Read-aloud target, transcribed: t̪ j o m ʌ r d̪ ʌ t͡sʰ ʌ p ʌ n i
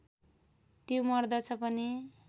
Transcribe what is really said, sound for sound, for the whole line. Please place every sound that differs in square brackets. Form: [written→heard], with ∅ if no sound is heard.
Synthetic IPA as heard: t̪ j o m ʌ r d̪ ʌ t͡sʰ ʌ p ʌ n i